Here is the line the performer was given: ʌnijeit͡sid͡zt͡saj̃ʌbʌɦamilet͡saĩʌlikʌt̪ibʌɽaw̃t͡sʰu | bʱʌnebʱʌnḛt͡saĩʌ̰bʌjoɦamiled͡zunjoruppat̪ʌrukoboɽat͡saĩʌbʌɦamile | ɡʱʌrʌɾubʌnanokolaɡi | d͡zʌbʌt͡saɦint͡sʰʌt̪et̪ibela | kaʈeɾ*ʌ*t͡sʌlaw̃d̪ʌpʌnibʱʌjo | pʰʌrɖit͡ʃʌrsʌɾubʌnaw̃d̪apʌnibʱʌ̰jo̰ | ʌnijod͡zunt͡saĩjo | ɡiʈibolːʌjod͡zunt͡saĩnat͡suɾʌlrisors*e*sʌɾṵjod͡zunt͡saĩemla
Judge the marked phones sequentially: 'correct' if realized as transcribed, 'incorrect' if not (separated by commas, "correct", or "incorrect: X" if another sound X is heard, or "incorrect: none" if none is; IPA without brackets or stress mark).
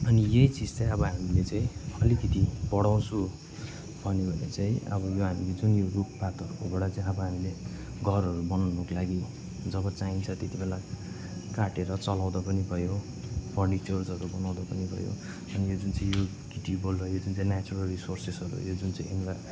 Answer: correct, correct